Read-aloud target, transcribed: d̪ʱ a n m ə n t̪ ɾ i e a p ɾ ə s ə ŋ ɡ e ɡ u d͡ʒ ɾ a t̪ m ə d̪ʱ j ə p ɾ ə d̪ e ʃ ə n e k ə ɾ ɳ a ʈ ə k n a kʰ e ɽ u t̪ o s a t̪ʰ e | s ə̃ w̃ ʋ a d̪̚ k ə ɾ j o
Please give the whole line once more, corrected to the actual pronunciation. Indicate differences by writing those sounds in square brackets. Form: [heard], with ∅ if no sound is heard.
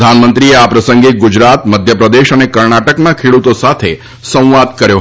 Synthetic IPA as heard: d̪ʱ a n m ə n t̪ ɾ i e a p ɾ ə s ə ŋ ɡ e ɡ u d͡ʒ ɾ a t̪ m ə d̪ʱ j ə p ɾ ə d̪ e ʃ ə n e k ə ɾ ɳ a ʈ ə k n a kʰ e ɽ u t̪ o s a t̪ʰ e | s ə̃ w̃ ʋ a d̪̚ k ə ɾ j o